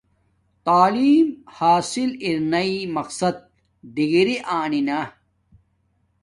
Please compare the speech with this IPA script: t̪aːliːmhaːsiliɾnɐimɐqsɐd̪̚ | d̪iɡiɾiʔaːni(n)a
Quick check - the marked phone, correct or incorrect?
correct